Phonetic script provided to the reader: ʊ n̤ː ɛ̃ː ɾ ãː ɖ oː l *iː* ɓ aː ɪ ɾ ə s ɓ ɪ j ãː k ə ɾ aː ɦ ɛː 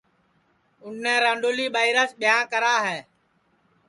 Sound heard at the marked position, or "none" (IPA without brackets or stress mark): iː